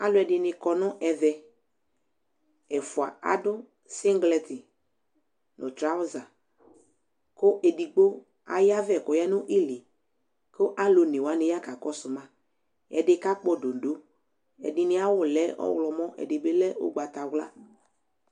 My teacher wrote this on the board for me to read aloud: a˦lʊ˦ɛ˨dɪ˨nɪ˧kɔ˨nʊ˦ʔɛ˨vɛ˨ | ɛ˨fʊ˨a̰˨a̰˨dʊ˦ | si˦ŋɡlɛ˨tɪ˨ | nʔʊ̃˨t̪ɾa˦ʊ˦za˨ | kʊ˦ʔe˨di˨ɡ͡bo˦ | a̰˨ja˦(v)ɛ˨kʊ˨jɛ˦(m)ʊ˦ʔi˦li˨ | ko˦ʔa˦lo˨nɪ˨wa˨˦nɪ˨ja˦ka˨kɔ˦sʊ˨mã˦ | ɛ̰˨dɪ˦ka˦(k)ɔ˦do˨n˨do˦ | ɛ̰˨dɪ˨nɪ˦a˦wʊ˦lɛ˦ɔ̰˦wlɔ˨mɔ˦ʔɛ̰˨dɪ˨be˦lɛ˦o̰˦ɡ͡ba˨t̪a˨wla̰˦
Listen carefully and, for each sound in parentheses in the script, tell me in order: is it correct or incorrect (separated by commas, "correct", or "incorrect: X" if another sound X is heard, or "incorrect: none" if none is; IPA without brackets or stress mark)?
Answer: correct, incorrect: n, incorrect: k͡p